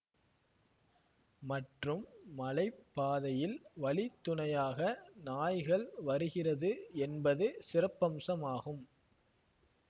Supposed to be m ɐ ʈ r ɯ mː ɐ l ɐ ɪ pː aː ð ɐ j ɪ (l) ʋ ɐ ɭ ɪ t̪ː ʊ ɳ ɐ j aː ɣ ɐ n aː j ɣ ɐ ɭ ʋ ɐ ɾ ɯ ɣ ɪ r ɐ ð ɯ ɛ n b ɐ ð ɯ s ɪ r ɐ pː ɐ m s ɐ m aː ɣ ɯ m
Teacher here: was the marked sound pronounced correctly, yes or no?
yes